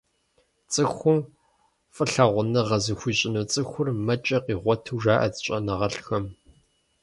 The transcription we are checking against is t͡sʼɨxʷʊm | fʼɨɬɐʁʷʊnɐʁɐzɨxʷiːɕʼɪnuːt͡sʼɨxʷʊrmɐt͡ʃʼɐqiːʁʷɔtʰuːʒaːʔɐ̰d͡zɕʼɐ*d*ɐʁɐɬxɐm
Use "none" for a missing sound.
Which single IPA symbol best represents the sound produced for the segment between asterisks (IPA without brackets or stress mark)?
n